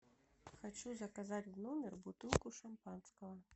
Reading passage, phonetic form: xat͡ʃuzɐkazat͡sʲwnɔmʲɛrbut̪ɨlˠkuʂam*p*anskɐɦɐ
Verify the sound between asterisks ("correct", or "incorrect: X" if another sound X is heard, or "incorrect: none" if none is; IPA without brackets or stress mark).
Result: correct